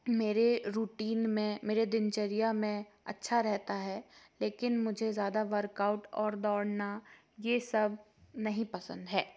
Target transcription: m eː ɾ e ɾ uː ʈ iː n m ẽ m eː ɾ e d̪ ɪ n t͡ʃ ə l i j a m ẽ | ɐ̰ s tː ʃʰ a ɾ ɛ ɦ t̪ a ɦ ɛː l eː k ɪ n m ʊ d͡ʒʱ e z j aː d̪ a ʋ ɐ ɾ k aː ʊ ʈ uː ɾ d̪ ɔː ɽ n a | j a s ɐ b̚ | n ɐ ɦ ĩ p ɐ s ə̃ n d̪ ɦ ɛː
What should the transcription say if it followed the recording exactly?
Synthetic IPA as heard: m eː ɾ e ɾ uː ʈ iː n m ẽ m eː ɾ e d̪ ɪ n t͡ʃ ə ɾ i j a m ẽ | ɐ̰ tː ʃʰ a ɾ ɛ ɦ t̪ a ɦ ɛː l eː k ɪ n m ʊ d͡ʒʱ e z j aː d̪ a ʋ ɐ ɾ k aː ʊ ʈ ɔː ɾ d̪ ɔː ɽ n a | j e s ɐ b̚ | n ɐ ɦ ĩ p ɐ s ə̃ n d̪ ɦ ɛː